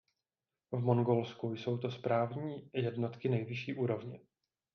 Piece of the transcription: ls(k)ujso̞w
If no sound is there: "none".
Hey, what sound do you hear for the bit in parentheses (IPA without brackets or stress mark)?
k